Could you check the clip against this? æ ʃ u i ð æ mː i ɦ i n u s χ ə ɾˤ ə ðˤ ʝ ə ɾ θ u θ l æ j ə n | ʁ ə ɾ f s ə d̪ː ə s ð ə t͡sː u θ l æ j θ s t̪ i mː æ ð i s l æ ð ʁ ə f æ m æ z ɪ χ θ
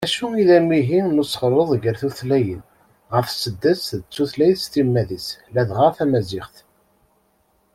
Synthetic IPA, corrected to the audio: æ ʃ u i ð æ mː i ɦ i n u s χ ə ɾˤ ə ðˤ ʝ ə ɾ θ u θ l æ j ə n | ʁ ə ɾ f s ə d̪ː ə s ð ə t͡sː u θ l æ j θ s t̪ i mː æ ð i s l æ ð ʁ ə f æ m æ z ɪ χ θ